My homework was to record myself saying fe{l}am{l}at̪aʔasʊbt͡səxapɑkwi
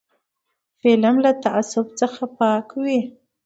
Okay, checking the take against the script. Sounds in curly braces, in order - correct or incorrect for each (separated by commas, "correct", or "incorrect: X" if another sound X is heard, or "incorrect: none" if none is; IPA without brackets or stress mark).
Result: correct, correct